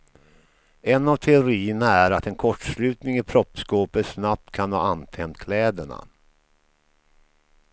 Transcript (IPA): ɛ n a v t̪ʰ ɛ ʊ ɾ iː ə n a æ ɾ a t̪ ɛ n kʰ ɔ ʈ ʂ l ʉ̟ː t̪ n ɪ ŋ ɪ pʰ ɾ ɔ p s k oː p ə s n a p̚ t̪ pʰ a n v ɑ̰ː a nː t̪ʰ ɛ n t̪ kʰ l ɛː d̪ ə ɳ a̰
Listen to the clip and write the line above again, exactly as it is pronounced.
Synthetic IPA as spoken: ɛ n a v t̪ʰ ɛ ʊ ɾ iː ə n a æ ɾ a t̪ ɛ n kʰ ɔ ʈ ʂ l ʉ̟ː t̪ n ɪ ŋ ɪ pʰ ɾ ɔ p s k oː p ə s n a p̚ t̪ kʰ a n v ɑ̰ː a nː t̪ʰ ɛ n t̪ kʰ l ɛː d̪ ə ɳ a̰